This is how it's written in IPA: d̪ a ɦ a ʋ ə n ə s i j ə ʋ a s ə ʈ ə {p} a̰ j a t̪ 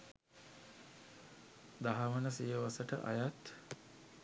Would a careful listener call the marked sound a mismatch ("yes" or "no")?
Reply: yes